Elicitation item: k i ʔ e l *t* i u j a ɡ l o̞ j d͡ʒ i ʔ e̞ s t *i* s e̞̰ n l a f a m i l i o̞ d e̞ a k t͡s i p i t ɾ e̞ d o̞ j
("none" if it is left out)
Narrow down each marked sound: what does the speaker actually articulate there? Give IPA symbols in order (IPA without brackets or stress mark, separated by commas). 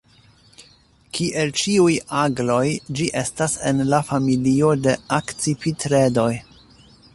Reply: t͡ʃ, a